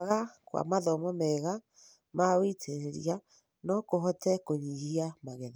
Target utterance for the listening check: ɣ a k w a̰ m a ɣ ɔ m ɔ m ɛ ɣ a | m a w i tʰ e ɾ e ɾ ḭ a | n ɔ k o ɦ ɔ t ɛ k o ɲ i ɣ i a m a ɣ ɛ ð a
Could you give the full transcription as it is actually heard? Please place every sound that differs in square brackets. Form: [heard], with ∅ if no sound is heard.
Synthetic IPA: ɣ a k w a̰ m a [ð] ɔ m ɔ m ɛ ɣ a | m a w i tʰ e ɾ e ɾ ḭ a | n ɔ k o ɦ ɔ t ɛ k o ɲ i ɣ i a m a ɣ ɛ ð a

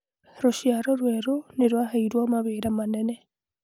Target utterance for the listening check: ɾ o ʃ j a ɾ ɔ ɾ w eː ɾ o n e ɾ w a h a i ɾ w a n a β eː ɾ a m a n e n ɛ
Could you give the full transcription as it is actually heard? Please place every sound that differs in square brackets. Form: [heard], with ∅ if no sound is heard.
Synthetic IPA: ɾ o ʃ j a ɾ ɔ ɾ w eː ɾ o n e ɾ w a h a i ɾ w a [m] a β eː ɾ a m a n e n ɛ

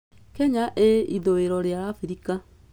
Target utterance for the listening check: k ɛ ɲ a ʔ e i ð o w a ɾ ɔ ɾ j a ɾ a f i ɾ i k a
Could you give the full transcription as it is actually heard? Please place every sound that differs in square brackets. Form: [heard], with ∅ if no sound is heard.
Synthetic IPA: k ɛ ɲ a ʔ e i ð o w [e] ɾ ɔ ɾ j a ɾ a f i ɾ i k a

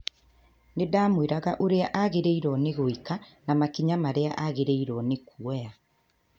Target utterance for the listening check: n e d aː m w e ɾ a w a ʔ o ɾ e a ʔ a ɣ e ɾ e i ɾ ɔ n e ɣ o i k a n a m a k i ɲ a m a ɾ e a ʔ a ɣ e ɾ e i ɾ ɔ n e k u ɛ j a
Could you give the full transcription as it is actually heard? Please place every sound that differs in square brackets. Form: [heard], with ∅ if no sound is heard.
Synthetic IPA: n e d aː m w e ɾ a [ɣ] a ʔ o ɾ e a ʔ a ɣ e ɾ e i ɾ ɔ n e ɣ o i k a n a m a k i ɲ a m a ɾ e a ʔ a ɣ e ɾ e i ɾ ɔ n e k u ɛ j a

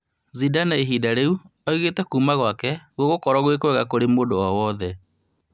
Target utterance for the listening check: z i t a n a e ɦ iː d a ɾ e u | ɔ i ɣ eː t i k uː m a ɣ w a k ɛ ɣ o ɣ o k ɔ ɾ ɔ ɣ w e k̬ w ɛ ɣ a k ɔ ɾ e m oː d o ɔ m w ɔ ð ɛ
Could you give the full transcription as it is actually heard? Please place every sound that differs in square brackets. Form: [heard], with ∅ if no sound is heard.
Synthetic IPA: z i [d] a n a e ɦ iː d a ɾ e u | ɔ i ɣ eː t [ɛ] k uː m a ɣ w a k ɛ ɣ o ɣ o k ɔ ɾ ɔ ɣ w e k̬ w ɛ ɣ a k [o] ɾ e m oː d o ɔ [∅] w ɔ ð ɛ

